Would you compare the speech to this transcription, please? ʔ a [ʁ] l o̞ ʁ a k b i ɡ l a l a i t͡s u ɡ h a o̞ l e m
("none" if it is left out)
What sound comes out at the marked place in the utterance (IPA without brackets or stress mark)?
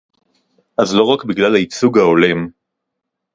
z